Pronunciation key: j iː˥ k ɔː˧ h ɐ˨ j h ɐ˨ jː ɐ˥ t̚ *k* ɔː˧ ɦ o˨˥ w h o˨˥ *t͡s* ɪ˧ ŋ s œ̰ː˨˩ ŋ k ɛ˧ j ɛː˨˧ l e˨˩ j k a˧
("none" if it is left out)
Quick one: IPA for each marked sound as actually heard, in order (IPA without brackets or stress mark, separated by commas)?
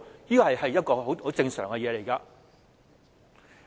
k, t͡s